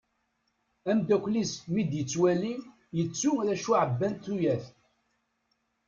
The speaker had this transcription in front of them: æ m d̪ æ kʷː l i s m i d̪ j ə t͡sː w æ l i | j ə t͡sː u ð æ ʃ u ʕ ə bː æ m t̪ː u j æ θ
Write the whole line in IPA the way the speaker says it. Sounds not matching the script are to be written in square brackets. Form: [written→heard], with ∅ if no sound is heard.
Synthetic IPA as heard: æ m d̪ æ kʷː l i s m i d̪ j ə t͡sː w æ l i | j ə t͡sː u ð æ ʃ u ʕ ə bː æ [m→n] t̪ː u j æ θ